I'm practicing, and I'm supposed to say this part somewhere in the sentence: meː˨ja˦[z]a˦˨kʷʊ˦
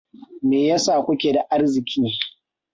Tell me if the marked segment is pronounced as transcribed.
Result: no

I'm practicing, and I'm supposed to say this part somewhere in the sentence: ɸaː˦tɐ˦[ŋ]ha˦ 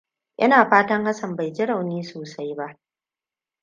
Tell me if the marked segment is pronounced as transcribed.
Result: yes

